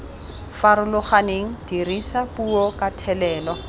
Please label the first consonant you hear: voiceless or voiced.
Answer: voiceless